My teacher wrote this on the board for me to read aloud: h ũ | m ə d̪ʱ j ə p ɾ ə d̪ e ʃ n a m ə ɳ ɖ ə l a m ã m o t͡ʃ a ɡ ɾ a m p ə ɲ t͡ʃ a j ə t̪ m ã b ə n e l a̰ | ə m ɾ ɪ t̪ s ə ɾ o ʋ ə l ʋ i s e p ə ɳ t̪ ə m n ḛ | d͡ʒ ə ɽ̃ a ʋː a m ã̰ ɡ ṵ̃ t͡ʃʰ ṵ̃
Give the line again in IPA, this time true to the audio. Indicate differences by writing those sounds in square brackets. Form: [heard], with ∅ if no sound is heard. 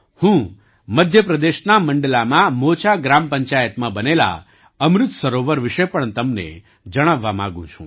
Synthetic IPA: h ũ | m ə d̪ʱ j ə p ɾ ə d̪ e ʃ n a m ə ɳ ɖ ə l a m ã m o t͡ʃ a ɡ ɾ a m p ə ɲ t͡ʃ a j ə t̪ m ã b ə n e l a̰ | ə m ɾ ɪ t̪ s ə ɾ o ʋ ə [ɾ] ʋ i [ʃ] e p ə ɳ t̪ ə m n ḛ | d͡ʒ ə ɽ̃ a ʋː a m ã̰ ɡ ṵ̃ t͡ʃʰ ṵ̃

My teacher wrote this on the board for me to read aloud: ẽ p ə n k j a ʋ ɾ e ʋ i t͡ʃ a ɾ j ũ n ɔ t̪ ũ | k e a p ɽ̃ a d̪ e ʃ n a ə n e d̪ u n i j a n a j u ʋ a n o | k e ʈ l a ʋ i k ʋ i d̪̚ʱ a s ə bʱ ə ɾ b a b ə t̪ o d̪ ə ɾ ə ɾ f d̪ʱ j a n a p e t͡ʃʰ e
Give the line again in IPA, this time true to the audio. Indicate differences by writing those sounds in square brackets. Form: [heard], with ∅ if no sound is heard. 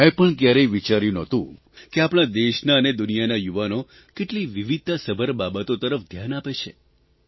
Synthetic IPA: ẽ p ə [ɳ] k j a [∅] ɾ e ʋ i t͡ʃ a ɾ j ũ n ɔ t̪ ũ | k e a p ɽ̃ a d̪ e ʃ n a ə n e d̪ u n i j a n a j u ʋ a n o | k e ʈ l [i] ʋ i [∅] ʋ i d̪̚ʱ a s ə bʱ ə ɾ b a b ə t̪ o [t̪] ə ɾ ə [∅] f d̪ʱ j a n a p e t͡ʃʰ e

